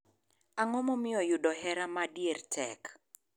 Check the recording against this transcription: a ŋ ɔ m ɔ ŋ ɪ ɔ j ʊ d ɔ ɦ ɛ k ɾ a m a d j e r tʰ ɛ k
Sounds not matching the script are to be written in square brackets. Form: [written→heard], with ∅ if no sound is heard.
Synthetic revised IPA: a ŋ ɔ m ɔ [ŋ→m] ɪ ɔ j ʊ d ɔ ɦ ɛ [k→∅] ɾ a m a d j e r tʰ ɛ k